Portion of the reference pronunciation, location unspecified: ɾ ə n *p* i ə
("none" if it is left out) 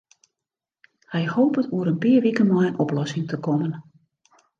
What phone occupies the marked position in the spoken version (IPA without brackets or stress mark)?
p